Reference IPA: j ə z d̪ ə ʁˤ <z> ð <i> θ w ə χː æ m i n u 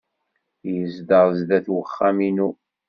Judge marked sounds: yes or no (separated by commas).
yes, no